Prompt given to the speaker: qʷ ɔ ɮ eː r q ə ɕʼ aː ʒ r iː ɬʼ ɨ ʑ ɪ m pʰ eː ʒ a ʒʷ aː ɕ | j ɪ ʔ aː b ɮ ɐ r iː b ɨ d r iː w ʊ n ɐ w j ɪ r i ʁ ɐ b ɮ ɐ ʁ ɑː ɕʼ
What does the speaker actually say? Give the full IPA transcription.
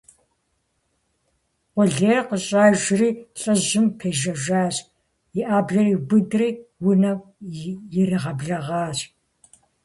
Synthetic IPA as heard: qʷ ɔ ɮ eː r q ə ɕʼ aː ʒ r iː ɬʼ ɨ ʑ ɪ m pʰ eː ʒ ɐ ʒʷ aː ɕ | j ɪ ʔ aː b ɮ ɐ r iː b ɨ d r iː w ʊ n ɐ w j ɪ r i ʁ ɐ b ɮ ɐ ʁ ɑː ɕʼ